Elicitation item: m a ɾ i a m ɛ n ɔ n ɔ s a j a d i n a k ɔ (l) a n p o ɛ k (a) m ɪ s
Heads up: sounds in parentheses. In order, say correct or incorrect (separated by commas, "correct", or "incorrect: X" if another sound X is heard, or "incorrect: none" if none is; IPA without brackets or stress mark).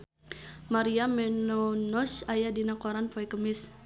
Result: incorrect: ɾ, incorrect: ə